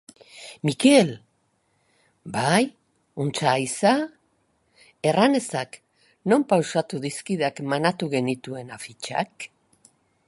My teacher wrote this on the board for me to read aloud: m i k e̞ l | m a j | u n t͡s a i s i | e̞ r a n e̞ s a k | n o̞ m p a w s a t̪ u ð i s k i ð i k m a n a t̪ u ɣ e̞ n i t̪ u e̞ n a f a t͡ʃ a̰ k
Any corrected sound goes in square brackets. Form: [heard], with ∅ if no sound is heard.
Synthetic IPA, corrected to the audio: m i k e̞ l | [b] a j | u n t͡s a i s [a] | e̞ r a n e̞ s a k | n o̞ m p a w s a t̪ u ð i s k i ð [a] k m a n a t̪ u ɣ e̞ n i t̪ u e̞ n a f [i] t͡ʃ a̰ k